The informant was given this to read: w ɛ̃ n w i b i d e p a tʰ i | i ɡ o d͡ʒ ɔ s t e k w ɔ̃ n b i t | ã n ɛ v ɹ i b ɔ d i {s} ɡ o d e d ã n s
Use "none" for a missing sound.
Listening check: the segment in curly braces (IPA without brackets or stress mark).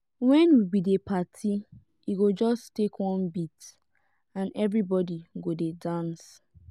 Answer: none